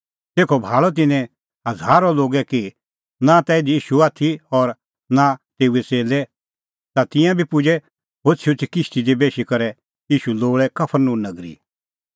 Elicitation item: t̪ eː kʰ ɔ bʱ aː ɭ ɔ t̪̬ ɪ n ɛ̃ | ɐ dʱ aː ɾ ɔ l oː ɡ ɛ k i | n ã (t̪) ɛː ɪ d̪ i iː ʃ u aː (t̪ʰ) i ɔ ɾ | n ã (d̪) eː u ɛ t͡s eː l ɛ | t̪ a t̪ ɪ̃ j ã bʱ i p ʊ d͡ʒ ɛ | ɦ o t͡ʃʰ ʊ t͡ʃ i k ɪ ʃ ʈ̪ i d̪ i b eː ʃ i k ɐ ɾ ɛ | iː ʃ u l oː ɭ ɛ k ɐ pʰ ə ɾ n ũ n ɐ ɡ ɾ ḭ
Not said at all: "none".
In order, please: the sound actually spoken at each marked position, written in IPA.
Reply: t̪, t̪ʰ, t̪

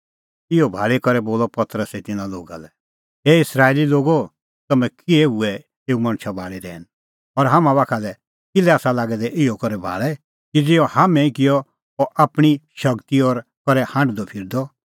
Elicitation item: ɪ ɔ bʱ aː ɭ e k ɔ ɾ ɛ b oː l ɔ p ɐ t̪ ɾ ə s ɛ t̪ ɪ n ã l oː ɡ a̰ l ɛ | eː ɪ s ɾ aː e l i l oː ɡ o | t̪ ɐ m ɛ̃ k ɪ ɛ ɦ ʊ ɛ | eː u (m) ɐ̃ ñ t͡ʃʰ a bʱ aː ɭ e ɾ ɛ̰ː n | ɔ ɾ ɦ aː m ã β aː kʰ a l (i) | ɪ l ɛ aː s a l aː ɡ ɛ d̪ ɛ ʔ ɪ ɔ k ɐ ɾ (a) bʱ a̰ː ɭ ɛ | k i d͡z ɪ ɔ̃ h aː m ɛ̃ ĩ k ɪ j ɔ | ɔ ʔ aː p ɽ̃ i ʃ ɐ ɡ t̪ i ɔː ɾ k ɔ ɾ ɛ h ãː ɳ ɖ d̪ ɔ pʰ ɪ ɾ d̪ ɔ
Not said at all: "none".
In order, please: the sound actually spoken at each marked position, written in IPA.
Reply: m, ɛ, ɛ

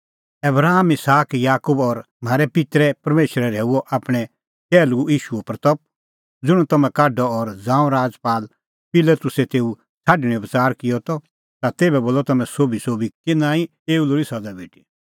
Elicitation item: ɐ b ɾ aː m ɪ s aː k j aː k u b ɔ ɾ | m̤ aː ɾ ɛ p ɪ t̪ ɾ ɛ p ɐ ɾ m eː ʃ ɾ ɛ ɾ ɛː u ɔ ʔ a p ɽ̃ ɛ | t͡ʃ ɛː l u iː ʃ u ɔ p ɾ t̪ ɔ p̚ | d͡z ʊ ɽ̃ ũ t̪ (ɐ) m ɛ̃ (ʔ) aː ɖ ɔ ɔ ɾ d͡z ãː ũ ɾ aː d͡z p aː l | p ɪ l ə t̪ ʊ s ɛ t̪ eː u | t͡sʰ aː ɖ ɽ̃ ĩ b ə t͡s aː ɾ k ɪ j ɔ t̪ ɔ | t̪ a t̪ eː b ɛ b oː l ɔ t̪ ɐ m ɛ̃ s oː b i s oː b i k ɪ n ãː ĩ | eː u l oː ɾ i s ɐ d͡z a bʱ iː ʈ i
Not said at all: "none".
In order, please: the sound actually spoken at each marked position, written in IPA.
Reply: ɐ, k

